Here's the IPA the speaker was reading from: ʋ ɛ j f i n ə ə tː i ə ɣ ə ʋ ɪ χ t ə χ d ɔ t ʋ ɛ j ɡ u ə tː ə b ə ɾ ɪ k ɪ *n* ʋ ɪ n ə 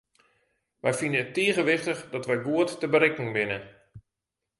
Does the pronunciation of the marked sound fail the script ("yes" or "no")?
yes